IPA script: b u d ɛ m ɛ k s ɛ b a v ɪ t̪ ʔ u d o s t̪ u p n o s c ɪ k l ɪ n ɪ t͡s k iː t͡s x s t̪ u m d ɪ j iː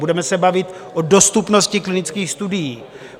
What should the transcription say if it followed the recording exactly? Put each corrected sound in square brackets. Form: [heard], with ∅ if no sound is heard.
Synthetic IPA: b u d ɛ m ɛ [∅] s ɛ b a v ɪ t̪ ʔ [o] d o s t̪ u p n o s c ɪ k l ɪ n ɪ t͡s k iː [∅] x s t̪ u [∅] d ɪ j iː